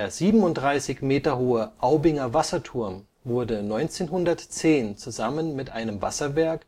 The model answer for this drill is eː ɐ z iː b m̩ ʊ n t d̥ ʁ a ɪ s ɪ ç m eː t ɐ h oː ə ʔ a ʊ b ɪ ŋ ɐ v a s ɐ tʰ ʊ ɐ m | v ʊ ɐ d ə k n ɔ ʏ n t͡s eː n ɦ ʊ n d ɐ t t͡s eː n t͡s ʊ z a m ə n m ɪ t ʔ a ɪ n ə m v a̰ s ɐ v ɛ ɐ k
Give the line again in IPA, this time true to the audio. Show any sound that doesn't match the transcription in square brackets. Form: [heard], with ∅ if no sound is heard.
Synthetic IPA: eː ɐ z iː b m̩ ʊ n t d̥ ʁ a ɪ s ɪ ç m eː t ɐ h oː ə ʔ a ʊ b ɪ ŋ ɐ v a s ɐ tʰ ʊ ɐ m | v ʊ ɐ d ə [∅] n ɔ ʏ n t͡s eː n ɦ ʊ n d ɐ t t͡s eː n t͡s [u] z a m ə n m ɪ t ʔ a ɪ n ə m v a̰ s ɐ v ɛ ɐ k